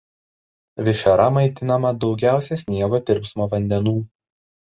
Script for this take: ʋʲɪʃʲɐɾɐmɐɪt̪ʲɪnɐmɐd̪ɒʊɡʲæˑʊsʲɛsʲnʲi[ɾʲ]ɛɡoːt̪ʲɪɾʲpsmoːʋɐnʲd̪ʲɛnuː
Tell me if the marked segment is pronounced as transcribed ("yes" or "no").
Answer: no